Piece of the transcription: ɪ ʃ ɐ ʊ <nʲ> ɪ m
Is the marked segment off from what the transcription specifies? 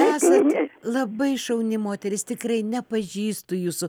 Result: no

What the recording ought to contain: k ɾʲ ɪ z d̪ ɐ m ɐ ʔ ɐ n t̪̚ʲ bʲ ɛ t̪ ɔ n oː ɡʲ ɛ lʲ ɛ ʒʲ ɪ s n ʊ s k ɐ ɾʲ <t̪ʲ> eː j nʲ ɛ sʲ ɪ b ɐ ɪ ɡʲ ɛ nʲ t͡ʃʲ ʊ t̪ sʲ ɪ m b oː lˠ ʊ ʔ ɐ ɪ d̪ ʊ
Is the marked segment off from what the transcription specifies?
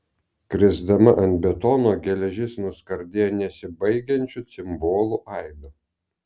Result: yes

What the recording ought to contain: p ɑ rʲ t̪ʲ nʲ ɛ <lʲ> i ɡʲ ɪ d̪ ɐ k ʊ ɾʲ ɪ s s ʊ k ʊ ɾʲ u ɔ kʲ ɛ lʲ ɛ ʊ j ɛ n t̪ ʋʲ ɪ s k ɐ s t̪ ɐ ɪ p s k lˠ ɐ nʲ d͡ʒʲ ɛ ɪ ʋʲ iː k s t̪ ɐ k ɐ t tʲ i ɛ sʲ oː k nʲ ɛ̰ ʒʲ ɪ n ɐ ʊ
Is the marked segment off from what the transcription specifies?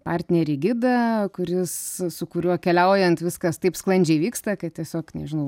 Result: yes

